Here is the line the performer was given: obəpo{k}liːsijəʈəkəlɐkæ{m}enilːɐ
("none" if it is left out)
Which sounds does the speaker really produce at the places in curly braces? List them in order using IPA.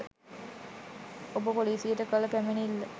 none, m

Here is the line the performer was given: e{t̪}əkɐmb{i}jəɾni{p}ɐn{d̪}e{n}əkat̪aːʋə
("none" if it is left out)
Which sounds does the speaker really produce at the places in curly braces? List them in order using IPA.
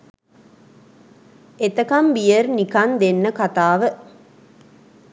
t̪, i, k, d̪, nː

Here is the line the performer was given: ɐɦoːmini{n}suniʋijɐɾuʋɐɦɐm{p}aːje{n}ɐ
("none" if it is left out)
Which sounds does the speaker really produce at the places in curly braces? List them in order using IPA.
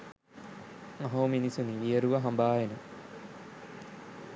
none, b, n

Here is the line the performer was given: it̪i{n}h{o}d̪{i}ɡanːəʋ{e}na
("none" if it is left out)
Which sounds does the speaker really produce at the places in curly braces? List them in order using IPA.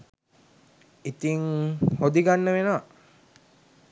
ŋ, o, i, e

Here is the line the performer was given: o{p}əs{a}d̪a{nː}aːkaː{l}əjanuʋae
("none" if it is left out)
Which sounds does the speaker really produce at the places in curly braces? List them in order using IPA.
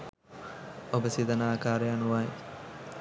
b, i, n, ɾ

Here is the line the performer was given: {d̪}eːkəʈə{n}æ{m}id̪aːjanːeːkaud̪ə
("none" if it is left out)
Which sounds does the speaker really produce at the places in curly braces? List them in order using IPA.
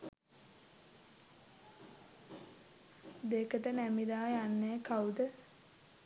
d̪, n, m

